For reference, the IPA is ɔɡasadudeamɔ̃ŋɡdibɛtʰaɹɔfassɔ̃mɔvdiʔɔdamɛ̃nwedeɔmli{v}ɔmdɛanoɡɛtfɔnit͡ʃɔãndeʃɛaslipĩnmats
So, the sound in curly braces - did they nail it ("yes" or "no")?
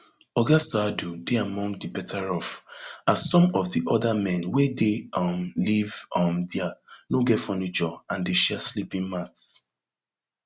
yes